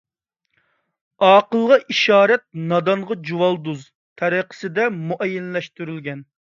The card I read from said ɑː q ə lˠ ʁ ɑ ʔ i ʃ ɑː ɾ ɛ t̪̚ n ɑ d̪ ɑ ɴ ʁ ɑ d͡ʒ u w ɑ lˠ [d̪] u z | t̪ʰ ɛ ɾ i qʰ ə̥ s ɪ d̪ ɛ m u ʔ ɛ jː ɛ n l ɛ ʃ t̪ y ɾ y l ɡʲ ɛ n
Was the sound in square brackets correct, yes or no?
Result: yes